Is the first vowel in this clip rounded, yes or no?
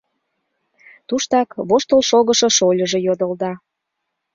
yes